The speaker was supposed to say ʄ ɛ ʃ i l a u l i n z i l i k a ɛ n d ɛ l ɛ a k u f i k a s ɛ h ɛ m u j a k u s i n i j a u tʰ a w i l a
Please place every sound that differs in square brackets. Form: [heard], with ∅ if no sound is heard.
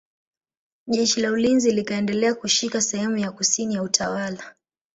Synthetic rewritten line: ʄ ɛ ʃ i l a u l i n z i l i k a ɛ n d ɛ l ɛ a k u [ʃ] i k a s ɛ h ɛ m u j a k u s i n i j a u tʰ a w [a] l a